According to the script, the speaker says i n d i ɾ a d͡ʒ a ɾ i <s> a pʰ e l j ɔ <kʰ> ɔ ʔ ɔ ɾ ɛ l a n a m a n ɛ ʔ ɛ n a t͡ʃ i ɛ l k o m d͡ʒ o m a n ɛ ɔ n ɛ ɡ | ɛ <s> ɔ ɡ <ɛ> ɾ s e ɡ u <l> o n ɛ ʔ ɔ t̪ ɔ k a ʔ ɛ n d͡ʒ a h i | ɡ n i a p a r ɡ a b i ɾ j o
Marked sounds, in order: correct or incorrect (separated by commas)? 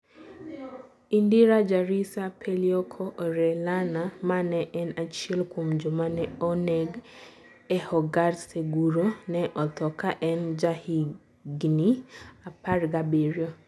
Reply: correct, correct, incorrect, incorrect, incorrect